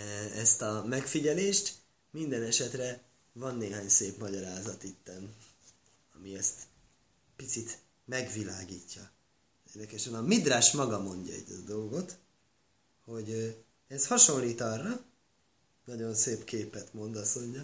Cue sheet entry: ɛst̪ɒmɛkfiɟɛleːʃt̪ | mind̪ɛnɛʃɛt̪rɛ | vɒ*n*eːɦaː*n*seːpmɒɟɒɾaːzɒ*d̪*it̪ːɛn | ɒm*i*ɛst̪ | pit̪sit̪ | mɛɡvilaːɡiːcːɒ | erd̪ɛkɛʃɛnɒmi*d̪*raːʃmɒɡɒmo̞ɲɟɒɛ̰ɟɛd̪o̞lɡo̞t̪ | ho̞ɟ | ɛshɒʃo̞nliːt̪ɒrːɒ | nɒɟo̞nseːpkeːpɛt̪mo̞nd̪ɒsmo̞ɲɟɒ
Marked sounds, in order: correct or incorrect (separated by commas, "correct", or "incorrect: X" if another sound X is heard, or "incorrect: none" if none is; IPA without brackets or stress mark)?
incorrect: nː, incorrect: ɲ, incorrect: t̪, correct, correct